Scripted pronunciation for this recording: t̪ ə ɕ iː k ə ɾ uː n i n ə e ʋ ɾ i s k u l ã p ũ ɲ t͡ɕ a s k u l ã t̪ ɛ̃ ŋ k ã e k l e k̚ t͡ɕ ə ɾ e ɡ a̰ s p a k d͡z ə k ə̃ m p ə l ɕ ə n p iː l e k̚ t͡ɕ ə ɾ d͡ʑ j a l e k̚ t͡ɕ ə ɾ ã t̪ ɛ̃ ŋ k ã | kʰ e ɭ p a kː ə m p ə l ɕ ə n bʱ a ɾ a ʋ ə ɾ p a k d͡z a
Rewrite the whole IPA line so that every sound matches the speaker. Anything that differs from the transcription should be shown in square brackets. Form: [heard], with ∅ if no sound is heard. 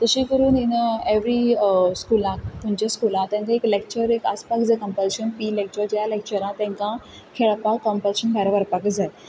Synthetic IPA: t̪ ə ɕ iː k ə ɾ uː n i n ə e ʋ ɾ i s k u l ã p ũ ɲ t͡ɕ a s k u l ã t̪ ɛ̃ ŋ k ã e k l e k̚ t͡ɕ ə ɾ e [k] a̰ s p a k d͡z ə k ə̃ m p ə l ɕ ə n p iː l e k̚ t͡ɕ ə ɾ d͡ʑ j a l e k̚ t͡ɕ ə ɾ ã t̪ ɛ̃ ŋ k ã | kʰ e ɭ p a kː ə m p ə l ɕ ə n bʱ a ɾ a ʋ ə ɾ p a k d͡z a